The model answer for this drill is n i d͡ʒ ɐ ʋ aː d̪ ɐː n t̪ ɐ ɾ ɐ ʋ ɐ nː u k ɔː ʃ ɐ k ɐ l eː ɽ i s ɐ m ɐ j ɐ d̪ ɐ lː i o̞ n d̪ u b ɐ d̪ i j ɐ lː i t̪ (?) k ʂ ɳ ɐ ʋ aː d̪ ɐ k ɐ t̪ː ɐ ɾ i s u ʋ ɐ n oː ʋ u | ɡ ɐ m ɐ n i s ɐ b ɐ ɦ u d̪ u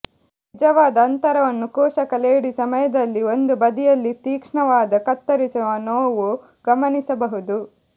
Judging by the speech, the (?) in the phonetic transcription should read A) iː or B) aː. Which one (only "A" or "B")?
A